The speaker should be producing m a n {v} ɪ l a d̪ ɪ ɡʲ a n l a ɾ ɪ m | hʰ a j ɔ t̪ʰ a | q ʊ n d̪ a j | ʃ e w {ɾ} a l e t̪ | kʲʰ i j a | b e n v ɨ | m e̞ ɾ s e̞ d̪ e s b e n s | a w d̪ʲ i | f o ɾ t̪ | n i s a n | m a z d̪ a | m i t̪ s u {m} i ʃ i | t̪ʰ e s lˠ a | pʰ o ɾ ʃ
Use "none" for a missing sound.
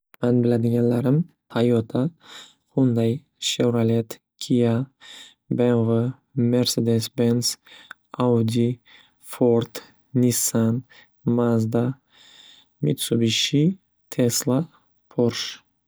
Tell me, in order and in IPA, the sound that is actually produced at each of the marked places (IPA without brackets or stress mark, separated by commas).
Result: b, ɾ, b